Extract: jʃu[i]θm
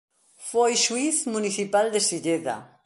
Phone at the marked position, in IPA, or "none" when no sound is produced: i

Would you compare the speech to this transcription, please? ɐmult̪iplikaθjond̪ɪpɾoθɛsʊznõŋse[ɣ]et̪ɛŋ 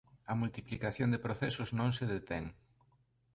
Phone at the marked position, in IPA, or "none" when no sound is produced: ð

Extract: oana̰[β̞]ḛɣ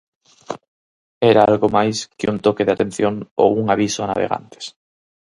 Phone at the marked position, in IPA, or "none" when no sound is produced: β̞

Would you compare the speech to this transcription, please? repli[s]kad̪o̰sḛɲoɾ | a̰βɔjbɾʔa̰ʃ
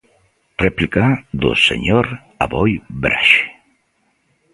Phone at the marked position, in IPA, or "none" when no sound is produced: none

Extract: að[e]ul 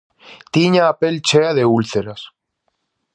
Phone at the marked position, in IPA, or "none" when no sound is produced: e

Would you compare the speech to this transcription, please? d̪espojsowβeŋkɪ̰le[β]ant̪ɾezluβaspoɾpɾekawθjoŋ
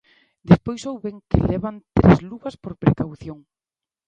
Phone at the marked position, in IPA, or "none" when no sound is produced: β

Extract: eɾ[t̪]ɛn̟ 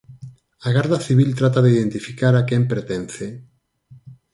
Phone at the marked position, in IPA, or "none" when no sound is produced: t̪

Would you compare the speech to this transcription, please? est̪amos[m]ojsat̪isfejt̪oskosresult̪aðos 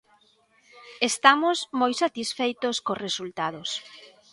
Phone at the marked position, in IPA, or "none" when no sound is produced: m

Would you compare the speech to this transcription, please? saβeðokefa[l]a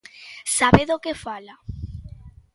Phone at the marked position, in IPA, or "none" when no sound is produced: l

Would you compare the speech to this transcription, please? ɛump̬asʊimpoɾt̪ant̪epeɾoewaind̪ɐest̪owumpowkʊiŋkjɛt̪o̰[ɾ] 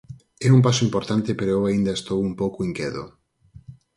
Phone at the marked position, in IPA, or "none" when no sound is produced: none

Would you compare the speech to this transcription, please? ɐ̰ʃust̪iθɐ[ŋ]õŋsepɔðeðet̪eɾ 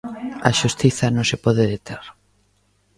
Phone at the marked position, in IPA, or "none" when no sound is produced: n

